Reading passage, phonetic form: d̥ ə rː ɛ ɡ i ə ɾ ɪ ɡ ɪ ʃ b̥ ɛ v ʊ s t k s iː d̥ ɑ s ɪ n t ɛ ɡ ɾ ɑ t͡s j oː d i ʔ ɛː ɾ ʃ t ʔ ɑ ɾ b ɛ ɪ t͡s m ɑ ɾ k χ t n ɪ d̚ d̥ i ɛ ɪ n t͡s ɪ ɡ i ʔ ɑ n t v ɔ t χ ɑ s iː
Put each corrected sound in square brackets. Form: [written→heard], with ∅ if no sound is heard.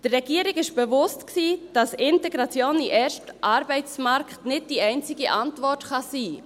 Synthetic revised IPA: d̥ ə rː ɛ ɡ i ə ɾ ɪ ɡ ɪ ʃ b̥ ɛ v ʊ s t k s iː d̥ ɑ s ɪ n t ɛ ɡ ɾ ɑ t͡s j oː [d→n] i ʔ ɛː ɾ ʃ t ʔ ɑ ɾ b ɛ ɪ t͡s m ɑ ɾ k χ t n ɪ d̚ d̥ i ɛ ɪ n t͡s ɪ ɡ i ʔ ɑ n t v ɔ t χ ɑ s iː